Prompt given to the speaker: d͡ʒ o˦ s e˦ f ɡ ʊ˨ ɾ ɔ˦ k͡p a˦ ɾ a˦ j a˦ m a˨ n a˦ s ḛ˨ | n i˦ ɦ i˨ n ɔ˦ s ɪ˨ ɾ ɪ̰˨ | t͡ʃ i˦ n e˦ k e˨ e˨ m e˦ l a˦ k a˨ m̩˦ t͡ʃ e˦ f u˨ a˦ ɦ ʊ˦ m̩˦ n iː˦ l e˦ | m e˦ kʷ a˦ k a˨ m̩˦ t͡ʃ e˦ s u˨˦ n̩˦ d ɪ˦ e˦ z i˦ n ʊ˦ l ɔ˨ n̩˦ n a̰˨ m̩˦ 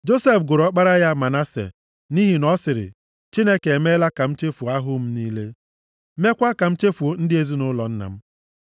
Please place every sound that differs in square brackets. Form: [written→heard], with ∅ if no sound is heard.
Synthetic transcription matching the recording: d͡ʒ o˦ s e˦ f ɡ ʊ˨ ɾ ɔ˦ k͡p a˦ ɾ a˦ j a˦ m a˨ n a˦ s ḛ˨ | n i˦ ɦ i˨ n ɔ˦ s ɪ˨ ɾ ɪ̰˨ | t͡ʃ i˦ n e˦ k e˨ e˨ m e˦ l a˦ k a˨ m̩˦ t͡ʃ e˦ f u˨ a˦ ɦ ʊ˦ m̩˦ n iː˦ l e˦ | m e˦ kʷ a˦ k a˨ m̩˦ t͡ʃ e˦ [s→f] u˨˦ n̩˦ d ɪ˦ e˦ z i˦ n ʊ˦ l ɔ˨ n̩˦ n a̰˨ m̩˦